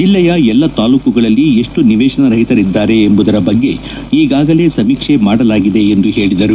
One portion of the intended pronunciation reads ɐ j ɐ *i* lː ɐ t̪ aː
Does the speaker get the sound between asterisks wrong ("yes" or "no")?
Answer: yes